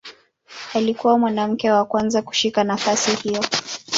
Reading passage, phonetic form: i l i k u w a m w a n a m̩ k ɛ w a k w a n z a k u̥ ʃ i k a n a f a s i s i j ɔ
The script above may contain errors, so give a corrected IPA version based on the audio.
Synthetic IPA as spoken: a l i k u w a m w a n a m̩ k ɛ w a k w a n z a k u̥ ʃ i k a n a f a s i h i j ɔ